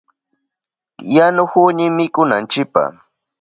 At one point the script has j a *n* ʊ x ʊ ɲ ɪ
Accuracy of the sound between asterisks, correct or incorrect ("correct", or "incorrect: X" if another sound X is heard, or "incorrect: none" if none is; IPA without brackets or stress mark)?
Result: correct